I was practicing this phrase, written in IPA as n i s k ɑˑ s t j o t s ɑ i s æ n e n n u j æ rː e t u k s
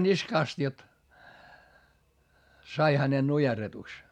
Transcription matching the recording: n i s k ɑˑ s t j o t s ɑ i h æ n e n n u j e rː e t u k s